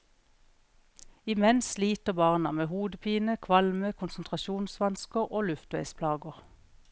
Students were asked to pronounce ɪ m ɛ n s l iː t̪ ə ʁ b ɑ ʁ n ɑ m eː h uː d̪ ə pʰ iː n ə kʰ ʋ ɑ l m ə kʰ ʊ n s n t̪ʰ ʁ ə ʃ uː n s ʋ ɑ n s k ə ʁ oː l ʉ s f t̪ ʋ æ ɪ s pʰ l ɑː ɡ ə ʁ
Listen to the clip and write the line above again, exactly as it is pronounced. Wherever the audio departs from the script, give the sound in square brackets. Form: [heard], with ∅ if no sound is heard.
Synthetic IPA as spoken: ɪ m ɛ n s l iː t̪ ə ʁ b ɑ ʁ n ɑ m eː h uː d̪ ə pʰ iː n ə kʰ ʋ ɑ l m ə kʰ ʊ n s n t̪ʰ ʁ [ɑ] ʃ uː n s ʋ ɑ n s k ə ʁ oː l ʉ [∅] f t̪ ʋ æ ɪ s pʰ l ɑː ɡ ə ʁ